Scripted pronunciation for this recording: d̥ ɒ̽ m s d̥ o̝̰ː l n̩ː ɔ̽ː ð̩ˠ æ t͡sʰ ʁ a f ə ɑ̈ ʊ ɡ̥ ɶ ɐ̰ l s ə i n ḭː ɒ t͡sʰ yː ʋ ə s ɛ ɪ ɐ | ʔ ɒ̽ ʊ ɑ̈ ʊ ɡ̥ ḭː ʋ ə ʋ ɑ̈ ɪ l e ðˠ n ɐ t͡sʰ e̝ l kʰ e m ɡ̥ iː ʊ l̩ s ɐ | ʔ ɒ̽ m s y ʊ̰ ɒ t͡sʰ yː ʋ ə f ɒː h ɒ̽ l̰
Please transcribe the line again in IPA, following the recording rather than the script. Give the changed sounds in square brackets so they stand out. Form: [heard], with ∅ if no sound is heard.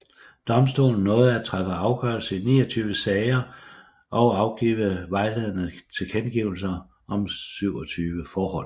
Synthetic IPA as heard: d̥ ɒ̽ m s d̥ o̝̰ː l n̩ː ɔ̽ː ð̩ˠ æ t͡sʰ ʁ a f ə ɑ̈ ʊ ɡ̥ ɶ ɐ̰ l s ə i n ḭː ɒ t͡sʰ yː ʋ ə s ɛ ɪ ɐ | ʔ ɒ̽ ʊ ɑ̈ ʊ ɡ̥ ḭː ʋ ə ʋ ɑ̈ ɪ l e ðˠ n [ə] t͡sʰ e̝ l kʰ e [n] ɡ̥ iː ʊ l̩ s ɐ | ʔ ɒ̽ m s y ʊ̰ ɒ t͡sʰ yː ʋ ə f ɒː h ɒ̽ l̰